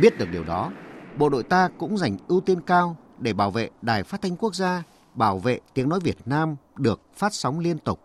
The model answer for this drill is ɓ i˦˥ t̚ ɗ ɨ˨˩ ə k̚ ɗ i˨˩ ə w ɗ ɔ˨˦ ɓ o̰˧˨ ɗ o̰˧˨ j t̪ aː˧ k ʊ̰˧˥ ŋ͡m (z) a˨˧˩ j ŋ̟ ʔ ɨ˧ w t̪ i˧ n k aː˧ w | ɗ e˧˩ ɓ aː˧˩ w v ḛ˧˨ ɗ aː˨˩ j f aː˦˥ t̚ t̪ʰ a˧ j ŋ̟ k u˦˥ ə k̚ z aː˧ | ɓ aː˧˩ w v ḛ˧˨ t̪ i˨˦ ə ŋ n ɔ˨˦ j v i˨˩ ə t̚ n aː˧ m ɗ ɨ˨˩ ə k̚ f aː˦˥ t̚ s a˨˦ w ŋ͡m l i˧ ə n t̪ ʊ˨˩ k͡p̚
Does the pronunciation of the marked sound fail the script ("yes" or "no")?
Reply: no